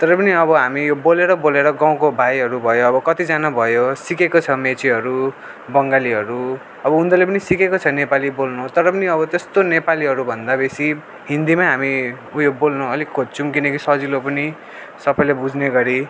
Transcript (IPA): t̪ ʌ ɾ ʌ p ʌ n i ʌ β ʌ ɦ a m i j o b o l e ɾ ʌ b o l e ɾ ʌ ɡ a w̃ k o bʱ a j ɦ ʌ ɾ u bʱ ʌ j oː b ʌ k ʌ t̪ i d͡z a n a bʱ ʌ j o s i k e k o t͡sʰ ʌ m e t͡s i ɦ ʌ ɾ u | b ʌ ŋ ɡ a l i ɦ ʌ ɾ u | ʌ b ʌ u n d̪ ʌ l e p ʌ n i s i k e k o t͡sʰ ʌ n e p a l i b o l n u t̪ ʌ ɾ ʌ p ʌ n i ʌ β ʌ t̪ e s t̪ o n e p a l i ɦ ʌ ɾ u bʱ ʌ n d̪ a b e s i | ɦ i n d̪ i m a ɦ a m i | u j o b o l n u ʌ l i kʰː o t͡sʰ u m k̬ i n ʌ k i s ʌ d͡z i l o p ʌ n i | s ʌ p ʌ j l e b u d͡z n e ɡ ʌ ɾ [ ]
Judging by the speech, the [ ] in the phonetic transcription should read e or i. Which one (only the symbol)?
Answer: i